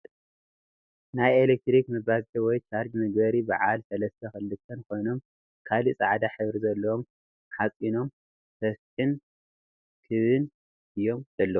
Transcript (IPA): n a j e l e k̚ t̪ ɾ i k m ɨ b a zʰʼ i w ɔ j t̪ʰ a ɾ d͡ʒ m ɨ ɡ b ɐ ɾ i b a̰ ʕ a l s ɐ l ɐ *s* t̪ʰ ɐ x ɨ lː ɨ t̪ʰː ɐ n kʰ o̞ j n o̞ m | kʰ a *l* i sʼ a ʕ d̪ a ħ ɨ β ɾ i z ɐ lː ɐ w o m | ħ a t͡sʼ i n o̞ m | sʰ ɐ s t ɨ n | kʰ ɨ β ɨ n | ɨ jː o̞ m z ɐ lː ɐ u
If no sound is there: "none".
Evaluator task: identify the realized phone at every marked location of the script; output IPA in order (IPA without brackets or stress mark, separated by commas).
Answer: s, l